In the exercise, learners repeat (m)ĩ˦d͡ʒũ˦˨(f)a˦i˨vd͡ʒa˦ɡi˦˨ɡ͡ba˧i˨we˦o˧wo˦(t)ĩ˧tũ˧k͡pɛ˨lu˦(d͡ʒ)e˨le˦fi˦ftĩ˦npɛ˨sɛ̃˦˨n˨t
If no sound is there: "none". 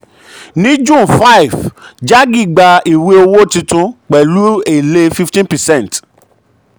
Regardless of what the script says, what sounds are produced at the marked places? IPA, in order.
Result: n, f, t, none

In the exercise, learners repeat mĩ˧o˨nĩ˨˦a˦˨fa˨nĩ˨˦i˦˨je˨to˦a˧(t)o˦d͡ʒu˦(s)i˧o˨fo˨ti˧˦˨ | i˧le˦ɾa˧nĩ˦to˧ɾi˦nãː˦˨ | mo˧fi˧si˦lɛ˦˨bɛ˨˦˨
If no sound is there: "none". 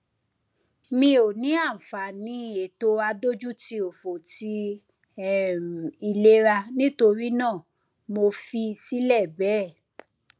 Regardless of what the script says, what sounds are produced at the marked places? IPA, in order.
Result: d, t

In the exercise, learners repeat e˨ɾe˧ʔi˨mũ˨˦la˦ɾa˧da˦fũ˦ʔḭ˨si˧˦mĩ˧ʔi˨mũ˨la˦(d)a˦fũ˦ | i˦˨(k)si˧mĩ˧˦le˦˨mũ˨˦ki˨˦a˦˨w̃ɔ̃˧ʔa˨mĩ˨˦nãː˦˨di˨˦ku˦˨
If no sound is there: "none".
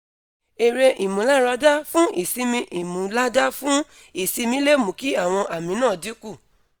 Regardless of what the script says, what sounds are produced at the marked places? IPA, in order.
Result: d, none

